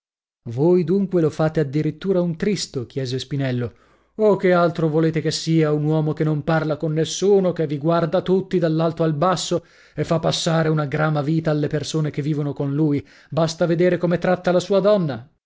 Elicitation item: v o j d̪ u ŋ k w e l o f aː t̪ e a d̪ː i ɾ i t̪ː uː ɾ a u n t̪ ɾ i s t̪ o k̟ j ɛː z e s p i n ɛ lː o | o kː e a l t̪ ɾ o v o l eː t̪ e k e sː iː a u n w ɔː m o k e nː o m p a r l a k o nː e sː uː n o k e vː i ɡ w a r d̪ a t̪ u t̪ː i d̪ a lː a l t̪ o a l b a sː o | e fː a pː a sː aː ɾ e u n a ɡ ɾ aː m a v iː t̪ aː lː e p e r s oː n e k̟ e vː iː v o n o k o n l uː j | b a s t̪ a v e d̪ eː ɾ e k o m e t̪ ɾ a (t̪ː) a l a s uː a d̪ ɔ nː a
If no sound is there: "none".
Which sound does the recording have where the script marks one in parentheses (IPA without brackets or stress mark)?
t̪ː